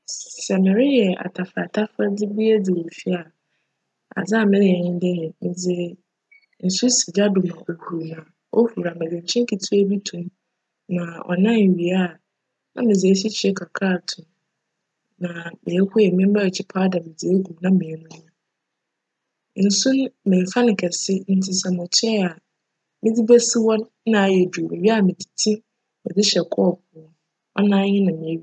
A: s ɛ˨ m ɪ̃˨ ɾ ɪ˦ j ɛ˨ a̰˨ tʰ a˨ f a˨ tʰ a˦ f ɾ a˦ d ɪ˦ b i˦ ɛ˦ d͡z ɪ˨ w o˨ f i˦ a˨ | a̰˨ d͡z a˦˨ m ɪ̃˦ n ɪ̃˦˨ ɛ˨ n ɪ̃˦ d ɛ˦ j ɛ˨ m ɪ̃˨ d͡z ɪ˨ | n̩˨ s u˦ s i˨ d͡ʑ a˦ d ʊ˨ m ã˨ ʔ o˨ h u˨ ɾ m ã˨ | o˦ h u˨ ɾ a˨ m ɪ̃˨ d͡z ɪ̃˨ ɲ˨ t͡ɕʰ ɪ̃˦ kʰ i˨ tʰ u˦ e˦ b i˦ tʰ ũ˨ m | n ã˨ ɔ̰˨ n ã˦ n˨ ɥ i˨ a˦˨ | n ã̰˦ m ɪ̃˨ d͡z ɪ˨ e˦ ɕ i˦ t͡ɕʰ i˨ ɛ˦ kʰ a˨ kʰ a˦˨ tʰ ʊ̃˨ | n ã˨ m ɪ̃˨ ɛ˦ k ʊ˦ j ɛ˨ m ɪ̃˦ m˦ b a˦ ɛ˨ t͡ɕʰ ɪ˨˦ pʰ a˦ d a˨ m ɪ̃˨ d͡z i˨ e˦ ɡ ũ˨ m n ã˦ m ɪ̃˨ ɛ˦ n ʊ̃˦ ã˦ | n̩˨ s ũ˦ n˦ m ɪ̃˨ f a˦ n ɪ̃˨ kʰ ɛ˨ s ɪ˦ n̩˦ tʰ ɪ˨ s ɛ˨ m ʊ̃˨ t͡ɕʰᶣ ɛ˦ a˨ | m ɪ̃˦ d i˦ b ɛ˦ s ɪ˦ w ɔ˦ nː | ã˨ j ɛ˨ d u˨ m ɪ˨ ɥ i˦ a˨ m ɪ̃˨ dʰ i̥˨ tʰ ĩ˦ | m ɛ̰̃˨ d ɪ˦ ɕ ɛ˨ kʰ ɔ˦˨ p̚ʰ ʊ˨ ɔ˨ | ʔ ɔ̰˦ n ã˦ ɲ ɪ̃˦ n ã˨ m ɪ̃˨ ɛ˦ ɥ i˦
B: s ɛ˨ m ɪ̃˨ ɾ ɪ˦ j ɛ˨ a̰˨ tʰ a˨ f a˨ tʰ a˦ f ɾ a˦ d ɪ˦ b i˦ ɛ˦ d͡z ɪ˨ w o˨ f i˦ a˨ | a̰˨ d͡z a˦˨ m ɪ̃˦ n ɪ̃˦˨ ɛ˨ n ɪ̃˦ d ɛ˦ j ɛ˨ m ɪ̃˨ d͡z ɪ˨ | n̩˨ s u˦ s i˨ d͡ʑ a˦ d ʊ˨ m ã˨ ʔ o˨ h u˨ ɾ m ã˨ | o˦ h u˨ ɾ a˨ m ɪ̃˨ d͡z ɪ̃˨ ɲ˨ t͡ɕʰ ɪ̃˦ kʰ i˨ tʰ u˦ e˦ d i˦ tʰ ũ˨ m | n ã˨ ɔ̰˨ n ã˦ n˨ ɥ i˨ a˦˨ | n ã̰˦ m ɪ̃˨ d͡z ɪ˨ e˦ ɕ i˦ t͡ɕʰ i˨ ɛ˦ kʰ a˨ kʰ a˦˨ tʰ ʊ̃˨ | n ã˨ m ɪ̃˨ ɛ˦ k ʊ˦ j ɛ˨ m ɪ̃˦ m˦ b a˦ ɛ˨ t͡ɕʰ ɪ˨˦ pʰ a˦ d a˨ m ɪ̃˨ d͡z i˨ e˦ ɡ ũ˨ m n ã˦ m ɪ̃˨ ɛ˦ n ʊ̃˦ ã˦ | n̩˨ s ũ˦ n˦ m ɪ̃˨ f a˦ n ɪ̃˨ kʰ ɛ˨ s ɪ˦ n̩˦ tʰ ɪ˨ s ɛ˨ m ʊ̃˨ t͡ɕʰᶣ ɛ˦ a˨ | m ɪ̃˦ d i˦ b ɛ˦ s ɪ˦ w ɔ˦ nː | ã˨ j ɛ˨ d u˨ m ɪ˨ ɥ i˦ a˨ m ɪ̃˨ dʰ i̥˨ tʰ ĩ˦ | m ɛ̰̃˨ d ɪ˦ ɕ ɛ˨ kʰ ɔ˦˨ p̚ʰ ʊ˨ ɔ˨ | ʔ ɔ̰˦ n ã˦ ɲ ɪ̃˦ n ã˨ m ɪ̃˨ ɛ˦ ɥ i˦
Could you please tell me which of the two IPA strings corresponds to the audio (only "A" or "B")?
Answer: A